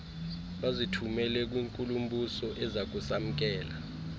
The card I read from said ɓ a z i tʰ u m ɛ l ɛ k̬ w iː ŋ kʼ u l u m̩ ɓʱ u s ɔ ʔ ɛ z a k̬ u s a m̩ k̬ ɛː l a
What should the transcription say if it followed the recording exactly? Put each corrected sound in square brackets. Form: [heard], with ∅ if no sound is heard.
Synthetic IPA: ɓ a z i tʰ u m ɛ l ɛ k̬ w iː ŋ kʼ u l u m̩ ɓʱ u s ɔ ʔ ɛ z a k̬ u s a m̩ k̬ ɛː l a